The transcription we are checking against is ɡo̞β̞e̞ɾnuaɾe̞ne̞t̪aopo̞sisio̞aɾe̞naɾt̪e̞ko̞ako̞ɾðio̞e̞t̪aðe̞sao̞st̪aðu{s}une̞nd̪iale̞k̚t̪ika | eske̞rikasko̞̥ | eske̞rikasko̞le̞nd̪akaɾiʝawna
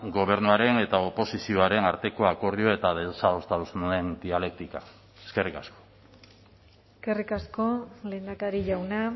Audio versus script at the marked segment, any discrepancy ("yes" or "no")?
no